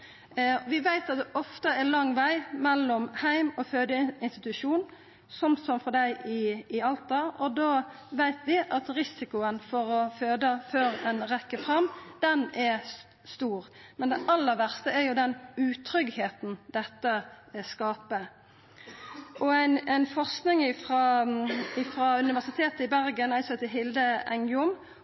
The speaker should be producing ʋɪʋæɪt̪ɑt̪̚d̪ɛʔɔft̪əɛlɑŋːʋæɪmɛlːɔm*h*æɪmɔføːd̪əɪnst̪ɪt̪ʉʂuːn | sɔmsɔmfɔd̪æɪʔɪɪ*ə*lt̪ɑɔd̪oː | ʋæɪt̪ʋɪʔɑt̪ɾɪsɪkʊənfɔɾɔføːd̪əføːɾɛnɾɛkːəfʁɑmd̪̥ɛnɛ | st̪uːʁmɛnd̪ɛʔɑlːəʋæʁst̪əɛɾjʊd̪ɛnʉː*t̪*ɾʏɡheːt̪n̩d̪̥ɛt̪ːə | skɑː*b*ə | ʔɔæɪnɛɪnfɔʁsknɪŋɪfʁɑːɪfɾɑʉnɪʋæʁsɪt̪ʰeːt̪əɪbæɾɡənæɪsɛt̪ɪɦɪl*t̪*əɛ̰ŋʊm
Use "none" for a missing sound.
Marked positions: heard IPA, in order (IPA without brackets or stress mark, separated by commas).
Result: h, ɑ, t̪ʰ, p, d̪